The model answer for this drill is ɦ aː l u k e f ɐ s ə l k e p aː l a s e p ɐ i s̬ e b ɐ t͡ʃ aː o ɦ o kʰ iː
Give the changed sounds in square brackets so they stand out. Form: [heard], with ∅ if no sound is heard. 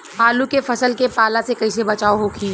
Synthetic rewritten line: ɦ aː l u k e f ɐ s ə l k e p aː l a s e [k] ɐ i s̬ e b ɐ t͡ʃ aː o ɦ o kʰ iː